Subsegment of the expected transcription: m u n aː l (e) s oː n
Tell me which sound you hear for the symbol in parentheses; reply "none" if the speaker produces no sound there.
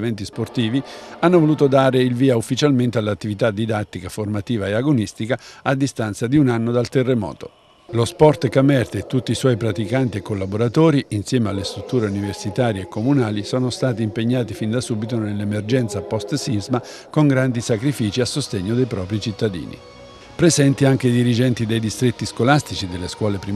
i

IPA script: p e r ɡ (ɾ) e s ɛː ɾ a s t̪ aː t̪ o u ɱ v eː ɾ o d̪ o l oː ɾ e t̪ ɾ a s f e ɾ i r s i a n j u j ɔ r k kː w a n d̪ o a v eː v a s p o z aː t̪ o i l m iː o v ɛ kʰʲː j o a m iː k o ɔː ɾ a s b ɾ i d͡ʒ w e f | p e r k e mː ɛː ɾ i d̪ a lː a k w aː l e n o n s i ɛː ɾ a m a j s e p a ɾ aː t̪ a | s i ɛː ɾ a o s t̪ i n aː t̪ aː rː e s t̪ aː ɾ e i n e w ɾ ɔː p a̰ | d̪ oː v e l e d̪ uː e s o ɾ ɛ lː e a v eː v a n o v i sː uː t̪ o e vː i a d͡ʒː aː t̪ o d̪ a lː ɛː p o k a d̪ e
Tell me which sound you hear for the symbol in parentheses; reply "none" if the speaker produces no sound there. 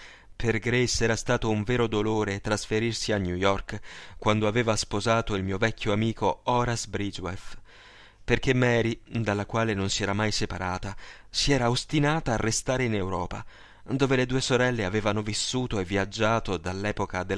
ɾ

